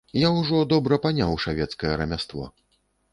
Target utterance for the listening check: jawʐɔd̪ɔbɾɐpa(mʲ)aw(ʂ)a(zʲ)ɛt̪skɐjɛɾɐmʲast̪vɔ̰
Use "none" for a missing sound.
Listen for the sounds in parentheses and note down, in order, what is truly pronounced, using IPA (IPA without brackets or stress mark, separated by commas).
nʲ, ʂ, vʲ